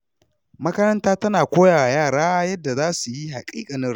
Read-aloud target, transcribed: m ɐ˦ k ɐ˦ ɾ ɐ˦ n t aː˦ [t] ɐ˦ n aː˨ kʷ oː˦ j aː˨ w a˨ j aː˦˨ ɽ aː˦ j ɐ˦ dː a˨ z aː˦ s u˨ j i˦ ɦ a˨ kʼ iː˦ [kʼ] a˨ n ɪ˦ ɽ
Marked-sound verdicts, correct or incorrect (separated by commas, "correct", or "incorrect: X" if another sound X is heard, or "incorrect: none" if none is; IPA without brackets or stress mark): correct, correct